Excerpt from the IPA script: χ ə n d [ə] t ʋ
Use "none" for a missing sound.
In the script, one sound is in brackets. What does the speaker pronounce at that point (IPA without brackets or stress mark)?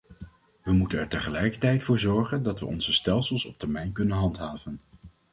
ɑ